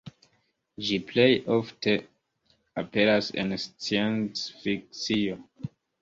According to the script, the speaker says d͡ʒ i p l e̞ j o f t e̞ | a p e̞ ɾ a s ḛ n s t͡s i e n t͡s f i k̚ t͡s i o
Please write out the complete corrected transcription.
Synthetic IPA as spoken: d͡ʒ i p l e̞ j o f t e̞ | a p e̞ ɾ a s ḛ n s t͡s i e n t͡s f i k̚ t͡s i o